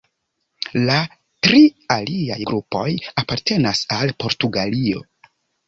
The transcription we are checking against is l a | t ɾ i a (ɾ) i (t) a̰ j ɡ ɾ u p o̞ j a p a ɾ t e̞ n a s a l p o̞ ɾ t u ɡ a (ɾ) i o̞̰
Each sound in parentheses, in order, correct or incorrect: incorrect, incorrect, incorrect

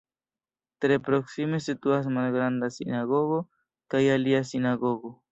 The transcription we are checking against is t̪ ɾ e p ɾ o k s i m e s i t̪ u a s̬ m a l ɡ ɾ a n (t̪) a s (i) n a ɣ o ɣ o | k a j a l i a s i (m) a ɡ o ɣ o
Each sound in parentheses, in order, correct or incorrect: incorrect, correct, incorrect

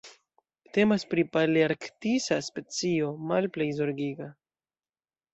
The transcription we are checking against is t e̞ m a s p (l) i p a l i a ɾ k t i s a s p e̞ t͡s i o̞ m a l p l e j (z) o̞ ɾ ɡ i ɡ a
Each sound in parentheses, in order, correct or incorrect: incorrect, correct

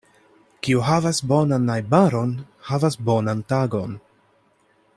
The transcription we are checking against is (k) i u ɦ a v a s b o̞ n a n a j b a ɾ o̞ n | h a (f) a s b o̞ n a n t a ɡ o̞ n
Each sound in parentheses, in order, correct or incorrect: correct, incorrect

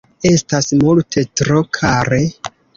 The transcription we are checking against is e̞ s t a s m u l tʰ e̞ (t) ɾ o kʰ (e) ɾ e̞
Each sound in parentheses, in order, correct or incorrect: correct, incorrect

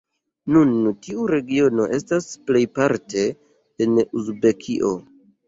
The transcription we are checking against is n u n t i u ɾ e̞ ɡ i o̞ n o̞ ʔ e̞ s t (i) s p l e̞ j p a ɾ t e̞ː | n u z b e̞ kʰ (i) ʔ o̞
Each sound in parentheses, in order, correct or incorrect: incorrect, correct

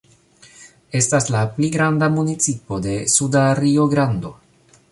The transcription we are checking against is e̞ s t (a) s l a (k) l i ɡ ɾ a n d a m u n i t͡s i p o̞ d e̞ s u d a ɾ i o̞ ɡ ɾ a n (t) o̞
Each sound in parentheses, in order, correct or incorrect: correct, incorrect, incorrect

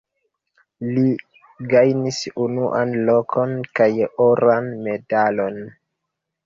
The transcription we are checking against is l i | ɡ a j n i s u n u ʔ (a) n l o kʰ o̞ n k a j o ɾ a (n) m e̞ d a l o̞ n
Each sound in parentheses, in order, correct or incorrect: correct, correct

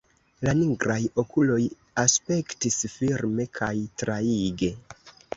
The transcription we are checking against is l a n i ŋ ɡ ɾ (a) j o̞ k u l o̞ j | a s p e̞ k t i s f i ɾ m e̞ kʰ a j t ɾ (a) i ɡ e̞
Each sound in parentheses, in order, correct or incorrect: correct, correct

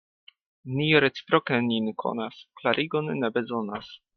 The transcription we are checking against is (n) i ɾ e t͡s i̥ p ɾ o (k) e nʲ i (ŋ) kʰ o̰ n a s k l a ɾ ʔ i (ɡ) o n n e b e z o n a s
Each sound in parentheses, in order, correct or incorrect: correct, correct, incorrect, correct

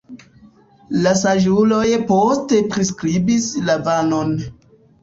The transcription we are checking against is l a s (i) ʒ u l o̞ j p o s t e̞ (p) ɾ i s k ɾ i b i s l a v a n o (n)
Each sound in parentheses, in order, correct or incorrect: incorrect, correct, correct

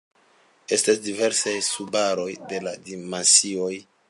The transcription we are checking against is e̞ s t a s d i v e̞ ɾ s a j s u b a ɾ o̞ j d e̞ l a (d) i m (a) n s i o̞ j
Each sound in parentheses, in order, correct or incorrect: correct, correct

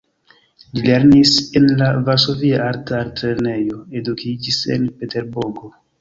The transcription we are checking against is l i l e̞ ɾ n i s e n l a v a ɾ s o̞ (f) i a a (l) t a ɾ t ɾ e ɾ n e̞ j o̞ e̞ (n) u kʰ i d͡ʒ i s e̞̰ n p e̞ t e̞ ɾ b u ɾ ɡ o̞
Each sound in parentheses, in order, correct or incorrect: incorrect, incorrect, incorrect

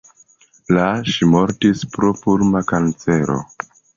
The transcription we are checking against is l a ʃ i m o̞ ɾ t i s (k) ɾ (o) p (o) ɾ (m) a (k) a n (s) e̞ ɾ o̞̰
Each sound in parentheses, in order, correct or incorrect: incorrect, correct, incorrect, correct, correct, incorrect

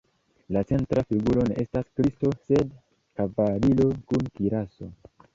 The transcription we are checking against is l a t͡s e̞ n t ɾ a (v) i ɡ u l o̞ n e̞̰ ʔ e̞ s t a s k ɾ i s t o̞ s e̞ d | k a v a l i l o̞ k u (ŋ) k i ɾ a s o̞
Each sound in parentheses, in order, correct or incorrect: incorrect, incorrect

